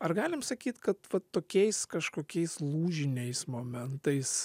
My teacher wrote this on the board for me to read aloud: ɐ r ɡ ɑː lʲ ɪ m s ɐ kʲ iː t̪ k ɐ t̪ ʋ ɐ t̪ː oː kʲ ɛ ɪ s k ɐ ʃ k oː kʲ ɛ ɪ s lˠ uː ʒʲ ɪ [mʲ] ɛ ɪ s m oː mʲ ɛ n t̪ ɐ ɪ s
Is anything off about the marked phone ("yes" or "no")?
yes